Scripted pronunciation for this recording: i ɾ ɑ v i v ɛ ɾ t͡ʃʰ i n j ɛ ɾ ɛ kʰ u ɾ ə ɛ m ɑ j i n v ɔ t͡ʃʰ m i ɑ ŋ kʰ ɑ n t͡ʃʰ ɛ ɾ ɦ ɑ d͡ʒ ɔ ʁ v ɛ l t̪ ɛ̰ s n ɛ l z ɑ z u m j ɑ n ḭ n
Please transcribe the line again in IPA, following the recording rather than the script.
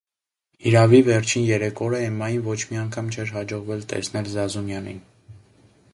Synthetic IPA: i ɾ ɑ v i v ɛ ɾ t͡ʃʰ i n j ɛ ɾ ɛ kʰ ɔ ɾ ə ɛ m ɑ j i n v ɔ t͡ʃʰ m i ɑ ŋ kʰ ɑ m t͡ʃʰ ɛ ɾ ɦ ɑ d͡ʒ ɔ ʁ v ɛ l t̪ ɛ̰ s n ɛ l z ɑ z u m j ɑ n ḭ n